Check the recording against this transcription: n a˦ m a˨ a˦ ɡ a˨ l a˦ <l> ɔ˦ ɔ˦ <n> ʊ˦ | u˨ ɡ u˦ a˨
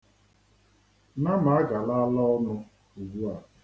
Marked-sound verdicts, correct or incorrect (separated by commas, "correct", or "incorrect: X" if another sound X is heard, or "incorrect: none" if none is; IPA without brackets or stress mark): correct, correct